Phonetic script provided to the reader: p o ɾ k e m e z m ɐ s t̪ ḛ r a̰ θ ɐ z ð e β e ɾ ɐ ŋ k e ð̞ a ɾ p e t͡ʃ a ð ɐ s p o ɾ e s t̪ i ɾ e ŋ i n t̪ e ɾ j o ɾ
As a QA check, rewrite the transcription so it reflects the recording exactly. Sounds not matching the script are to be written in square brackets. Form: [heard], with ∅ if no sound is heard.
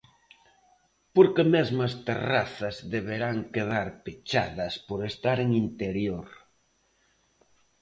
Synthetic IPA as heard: p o ɾ k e m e z m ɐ s t̪ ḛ r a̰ θ ɐ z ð e β e ɾ [a] ŋ k e ð̞ a ɾ p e t͡ʃ a ð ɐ s p o ɾ e s t̪ [a] ɾ e ŋ i n t̪ e ɾ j o ɾ